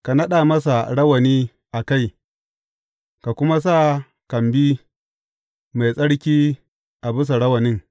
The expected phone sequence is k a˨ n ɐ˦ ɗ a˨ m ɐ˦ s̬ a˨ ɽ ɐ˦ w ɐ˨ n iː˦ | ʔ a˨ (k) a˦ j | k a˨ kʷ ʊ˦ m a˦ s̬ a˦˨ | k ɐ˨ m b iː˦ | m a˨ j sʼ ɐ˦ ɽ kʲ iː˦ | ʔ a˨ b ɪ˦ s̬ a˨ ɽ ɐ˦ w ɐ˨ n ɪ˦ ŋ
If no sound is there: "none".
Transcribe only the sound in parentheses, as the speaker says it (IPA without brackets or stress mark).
k